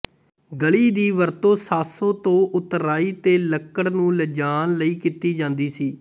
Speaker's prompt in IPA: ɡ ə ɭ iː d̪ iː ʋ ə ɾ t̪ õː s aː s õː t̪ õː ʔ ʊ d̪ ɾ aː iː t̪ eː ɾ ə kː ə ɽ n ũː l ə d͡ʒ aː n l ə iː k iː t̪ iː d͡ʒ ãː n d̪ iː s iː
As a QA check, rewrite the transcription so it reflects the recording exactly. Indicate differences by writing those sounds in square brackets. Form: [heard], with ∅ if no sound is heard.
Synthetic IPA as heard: ɡ ə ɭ iː d̪ iː ʋ ə ɾ t̪ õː s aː s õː t̪ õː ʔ ʊ [t̪] ɾ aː iː t̪ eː [l] ə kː ə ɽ n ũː l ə d͡ʒ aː n l ə iː k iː t̪ iː d͡ʒ ãː n d̪ iː s iː